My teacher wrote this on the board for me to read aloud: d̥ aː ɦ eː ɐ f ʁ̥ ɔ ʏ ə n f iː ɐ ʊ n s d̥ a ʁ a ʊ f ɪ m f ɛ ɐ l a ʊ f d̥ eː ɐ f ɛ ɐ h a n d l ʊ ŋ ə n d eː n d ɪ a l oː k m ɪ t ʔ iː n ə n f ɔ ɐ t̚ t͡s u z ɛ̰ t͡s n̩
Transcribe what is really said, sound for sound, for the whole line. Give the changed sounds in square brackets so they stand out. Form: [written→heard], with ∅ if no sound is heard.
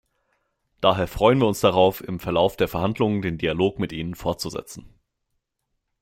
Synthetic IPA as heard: d̥ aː ɦ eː ɐ f ʁ̥ ɔ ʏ ə n [f→v] iː ɐ ʊ n s d̥ a ʁ a ʊ f ɪ m f ɛ ɐ l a ʊ f d̥ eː ɐ f ɛ ɐ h a n d l ʊ ŋ ə n d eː n d [ɪ→i] a l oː k m ɪ t ʔ iː n ə n f ɔ ɐ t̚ t͡s u z ɛ̰ t͡s n̩